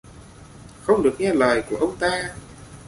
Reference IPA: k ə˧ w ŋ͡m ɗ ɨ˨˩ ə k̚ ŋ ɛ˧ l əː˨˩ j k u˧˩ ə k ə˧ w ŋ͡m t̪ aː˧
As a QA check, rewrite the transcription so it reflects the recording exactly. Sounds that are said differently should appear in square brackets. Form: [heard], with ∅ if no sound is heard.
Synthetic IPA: [x] ə˧ w ŋ͡m ɗ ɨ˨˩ ə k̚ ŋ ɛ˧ l əː˨˩ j k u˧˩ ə [ʔ] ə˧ w ŋ͡m t̪ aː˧